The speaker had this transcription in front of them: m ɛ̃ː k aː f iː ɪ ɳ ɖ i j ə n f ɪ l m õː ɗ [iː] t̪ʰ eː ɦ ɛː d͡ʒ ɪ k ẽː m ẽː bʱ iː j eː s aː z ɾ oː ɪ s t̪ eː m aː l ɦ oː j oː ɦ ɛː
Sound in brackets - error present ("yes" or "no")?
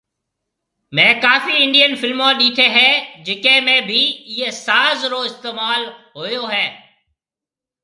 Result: no